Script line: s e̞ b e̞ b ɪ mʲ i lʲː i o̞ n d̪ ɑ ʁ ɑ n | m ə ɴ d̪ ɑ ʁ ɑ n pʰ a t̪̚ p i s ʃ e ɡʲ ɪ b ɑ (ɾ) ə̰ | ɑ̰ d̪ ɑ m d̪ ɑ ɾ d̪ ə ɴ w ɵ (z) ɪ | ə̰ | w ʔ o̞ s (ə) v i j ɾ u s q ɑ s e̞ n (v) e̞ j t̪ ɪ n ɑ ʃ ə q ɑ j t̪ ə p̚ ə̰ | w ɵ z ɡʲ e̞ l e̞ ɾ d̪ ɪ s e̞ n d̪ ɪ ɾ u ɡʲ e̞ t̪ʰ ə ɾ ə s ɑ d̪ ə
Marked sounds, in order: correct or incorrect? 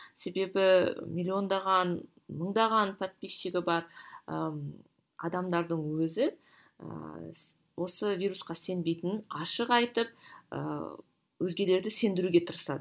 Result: correct, correct, correct, incorrect

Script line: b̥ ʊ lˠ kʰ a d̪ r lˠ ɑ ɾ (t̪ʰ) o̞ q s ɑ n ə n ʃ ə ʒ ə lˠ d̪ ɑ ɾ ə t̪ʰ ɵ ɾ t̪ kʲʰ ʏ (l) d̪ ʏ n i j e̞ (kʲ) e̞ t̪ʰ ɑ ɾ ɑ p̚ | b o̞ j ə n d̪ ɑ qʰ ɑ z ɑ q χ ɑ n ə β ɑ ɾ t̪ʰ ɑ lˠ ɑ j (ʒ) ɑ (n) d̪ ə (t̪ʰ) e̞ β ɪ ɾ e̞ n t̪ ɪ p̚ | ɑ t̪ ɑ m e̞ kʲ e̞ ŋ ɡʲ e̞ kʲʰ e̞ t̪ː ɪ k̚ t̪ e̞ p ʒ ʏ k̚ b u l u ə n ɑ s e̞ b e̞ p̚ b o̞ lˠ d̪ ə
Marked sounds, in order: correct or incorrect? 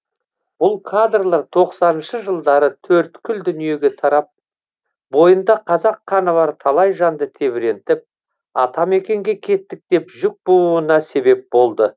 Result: correct, correct, incorrect, correct, correct, correct

